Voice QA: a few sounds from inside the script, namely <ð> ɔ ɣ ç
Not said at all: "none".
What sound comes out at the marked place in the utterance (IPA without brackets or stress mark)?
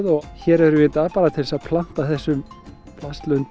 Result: ð